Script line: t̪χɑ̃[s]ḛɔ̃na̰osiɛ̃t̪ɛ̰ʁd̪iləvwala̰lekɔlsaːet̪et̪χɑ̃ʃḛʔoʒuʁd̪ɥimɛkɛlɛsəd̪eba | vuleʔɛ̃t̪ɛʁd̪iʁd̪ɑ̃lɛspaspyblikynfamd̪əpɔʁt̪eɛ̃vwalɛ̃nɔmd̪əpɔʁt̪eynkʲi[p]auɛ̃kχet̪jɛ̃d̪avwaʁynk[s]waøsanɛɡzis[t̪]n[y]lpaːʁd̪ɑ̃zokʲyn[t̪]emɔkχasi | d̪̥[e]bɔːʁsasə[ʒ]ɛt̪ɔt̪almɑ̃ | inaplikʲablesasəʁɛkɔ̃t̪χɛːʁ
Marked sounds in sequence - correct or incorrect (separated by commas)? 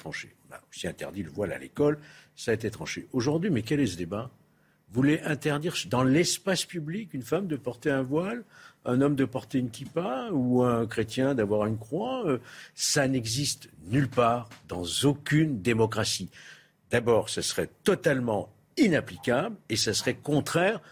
incorrect, correct, incorrect, correct, correct, incorrect, incorrect, incorrect